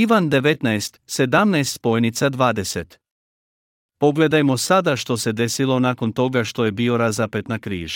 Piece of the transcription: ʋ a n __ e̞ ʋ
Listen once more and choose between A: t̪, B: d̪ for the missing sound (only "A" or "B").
B